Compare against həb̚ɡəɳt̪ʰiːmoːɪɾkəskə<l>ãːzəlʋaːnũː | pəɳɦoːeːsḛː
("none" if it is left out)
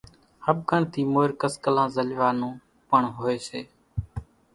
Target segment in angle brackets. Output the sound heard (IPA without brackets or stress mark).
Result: l